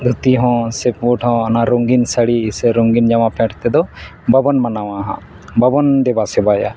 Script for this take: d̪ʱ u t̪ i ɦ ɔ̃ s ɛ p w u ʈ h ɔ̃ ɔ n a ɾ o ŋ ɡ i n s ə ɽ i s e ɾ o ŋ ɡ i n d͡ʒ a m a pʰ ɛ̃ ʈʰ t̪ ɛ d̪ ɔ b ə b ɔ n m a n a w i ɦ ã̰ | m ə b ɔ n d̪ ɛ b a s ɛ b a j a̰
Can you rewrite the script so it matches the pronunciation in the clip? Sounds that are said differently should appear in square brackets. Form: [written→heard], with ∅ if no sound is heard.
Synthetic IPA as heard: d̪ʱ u t̪ i ɦ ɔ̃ s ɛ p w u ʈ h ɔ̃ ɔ n a ɾ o ŋ ɡ i n s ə ɽ i s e ɾ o ŋ ɡ i n d͡ʒ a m a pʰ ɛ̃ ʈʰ t̪ ɛ d̪ ɔ b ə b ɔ n m a n a w [i→a] ɦ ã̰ | [m→b] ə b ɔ n d̪ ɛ b a s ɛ b a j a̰